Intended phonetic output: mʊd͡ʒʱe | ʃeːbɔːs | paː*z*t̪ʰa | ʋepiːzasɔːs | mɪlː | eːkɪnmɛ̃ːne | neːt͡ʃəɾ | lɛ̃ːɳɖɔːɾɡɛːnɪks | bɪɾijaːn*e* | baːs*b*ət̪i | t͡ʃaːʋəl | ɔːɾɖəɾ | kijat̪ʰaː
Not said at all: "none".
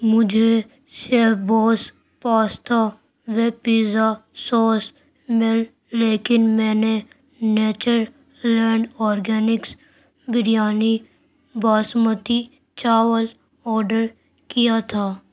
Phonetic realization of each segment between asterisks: s, i, m

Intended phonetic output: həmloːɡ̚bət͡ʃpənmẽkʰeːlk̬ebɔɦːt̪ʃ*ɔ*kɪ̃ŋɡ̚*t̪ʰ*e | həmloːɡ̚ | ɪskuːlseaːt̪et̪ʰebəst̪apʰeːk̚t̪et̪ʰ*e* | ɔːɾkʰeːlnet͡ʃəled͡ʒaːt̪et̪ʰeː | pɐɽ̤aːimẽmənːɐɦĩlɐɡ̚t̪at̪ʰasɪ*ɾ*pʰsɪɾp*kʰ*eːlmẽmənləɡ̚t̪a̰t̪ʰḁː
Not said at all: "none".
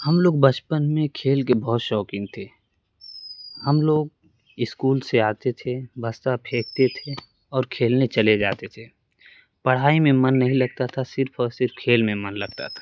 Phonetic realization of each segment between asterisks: ɔː, t̪ʰ, e, ɾ, kʰ

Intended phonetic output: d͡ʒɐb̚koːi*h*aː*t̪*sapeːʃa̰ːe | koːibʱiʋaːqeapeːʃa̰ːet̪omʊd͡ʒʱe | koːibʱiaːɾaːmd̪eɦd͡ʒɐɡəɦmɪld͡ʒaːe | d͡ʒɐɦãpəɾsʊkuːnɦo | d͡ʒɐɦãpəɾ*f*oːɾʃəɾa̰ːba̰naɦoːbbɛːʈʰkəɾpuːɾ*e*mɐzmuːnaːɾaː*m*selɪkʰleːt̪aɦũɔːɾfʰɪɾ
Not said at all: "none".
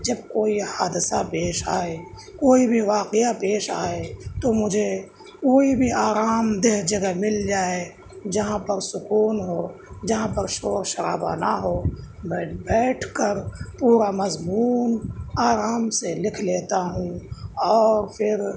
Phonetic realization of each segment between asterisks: h, d̪, ʃ, a, m

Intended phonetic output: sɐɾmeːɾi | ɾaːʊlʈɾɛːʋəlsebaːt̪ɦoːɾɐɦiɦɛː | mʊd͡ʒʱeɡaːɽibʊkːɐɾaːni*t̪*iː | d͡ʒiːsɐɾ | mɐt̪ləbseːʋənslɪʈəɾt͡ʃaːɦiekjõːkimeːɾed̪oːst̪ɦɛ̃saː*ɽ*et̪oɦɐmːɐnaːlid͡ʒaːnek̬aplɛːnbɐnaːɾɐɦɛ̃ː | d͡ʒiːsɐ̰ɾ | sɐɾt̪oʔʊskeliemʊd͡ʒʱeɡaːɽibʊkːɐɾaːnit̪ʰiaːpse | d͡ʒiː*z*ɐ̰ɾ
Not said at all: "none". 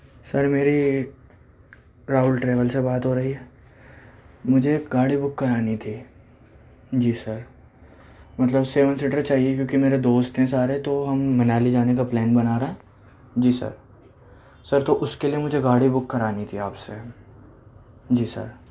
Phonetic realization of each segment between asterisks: t̪ʰ, ɾ, s

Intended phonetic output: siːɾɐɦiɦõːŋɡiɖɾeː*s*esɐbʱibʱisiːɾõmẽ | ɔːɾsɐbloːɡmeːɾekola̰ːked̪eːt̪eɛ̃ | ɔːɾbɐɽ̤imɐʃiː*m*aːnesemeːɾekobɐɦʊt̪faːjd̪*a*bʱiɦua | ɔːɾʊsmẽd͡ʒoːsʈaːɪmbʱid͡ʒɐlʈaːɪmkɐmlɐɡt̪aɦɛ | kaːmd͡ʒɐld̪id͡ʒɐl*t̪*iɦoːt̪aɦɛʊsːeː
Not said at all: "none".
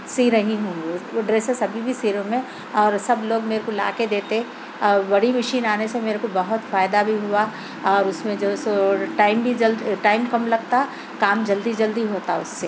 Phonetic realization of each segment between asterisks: s, n, a, d̪

